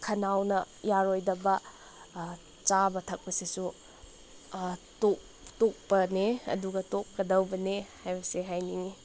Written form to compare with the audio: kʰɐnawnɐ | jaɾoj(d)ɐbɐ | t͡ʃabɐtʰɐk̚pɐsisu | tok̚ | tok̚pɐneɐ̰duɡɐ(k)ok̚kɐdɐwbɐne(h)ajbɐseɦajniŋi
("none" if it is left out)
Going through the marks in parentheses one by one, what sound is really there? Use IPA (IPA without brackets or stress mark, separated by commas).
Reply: d, t, h